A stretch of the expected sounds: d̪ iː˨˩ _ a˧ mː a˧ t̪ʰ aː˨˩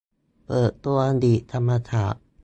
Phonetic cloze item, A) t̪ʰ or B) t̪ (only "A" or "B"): A